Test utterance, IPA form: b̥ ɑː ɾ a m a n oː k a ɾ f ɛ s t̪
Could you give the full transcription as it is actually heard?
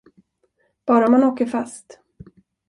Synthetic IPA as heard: b̥ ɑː ɾ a m a n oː k ə ɾ f a s t̪